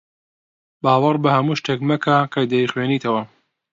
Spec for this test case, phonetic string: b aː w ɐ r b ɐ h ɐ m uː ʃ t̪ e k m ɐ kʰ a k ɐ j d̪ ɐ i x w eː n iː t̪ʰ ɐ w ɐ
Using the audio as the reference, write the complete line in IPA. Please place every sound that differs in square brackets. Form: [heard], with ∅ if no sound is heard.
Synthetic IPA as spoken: b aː w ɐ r b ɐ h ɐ m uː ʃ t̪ e k m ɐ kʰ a k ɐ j d̪ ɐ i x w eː n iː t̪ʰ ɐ w ɐ